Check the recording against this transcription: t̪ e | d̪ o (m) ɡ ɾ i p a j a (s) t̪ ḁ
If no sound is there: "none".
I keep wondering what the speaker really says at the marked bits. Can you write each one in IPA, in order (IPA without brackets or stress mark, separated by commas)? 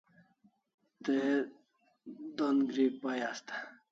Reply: n, s